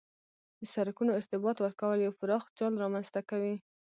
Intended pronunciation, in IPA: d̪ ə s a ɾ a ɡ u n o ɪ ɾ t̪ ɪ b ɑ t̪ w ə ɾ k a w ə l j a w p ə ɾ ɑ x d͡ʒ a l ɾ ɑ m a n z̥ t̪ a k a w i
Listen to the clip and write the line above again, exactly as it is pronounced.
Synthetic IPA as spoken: d̪ ə s a ɾ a k u n o ɪ ɾ t̪ ɪ b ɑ t̪ w ə ɾ k a w ə l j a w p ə ɾ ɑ x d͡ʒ ɑ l ɾ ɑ m a n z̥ t̪ a k a w i